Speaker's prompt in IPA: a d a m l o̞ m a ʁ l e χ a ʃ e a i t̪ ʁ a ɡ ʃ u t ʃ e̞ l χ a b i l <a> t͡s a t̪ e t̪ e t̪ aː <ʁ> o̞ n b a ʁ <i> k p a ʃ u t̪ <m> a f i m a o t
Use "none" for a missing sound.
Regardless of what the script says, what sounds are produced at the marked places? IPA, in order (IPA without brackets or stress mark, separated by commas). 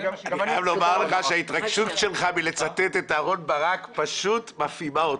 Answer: e, ʁ, a, m